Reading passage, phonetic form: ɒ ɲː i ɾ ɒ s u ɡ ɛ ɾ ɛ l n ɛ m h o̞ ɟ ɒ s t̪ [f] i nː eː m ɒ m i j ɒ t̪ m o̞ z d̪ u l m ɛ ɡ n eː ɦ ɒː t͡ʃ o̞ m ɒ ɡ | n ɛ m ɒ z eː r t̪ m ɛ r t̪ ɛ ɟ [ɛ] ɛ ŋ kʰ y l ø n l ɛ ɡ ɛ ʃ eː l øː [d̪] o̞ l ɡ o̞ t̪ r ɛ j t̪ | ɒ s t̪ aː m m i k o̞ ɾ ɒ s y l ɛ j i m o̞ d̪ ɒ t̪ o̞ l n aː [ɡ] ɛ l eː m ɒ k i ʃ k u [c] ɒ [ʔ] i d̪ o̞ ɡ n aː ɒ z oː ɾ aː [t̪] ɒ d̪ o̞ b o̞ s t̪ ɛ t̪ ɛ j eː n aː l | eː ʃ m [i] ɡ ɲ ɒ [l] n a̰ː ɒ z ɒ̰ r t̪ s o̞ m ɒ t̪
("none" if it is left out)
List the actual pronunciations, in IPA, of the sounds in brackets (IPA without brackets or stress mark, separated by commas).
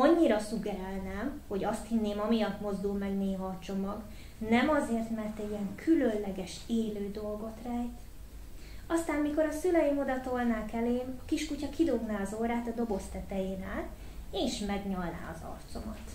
h, i, d̪, k, c, k, t̪, ɛ, l